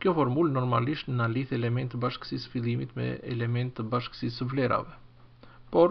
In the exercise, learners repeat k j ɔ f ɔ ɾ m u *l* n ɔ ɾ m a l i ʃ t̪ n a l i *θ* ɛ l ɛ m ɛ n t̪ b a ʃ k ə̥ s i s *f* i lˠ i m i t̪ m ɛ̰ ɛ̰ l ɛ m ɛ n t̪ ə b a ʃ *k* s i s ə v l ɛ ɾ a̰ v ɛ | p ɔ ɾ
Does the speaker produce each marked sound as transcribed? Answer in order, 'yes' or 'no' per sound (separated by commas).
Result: yes, yes, yes, yes